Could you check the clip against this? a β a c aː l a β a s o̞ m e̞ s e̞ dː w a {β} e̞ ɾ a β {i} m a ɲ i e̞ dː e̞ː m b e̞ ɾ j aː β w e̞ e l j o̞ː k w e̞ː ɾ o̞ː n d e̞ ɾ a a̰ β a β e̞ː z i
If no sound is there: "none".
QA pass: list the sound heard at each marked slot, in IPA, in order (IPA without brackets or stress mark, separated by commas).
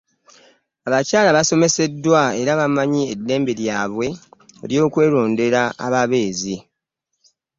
none, a